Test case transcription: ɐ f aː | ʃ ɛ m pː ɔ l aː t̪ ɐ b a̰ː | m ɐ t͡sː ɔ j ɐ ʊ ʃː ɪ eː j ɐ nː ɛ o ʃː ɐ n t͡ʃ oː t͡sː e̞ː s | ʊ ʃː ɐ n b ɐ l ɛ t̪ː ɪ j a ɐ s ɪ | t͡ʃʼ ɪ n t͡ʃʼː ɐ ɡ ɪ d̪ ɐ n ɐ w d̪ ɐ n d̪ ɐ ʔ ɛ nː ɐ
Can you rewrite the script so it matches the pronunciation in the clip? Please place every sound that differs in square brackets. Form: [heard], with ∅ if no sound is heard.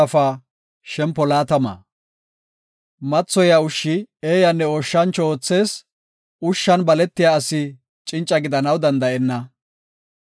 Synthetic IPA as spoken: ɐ f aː | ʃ ɛ m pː ɔ l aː t̪ ɐ [m] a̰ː | m ɐ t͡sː ɔ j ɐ ʊ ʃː ɪ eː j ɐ nː ɛ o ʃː ɐ n t͡ʃ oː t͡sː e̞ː s | ʊ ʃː ɐ n b ɐ l ɛ t̪ː ɪ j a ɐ s ɪ | t͡ʃʼ ɪ n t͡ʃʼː ɐ ɡ ɪ d̪ ɐ n ɐ w d̪ ɐ n d̪ ɐ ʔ ɛ nː ɐ